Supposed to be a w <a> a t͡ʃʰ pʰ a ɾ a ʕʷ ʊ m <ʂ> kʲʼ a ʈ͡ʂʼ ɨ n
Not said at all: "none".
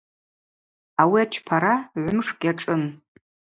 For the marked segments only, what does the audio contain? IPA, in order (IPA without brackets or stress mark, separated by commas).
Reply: i, ʂ